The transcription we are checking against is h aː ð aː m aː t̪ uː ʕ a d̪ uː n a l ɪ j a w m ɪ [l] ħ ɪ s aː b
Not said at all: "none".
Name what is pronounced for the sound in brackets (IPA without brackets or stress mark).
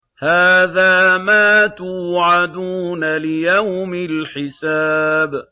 l